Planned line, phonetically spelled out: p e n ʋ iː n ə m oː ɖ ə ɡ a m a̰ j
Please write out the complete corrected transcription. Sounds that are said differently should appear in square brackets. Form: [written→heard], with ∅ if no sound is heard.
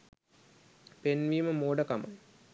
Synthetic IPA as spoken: p e n ʋ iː [n→m] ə m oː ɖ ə [ɡ→k] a m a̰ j